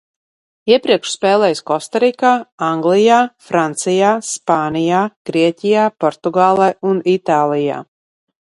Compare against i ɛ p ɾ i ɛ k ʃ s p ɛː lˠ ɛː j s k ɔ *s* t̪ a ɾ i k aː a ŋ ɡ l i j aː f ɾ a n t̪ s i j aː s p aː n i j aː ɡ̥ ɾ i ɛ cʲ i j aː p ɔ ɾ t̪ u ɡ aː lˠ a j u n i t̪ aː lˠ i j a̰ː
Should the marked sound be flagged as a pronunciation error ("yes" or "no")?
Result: no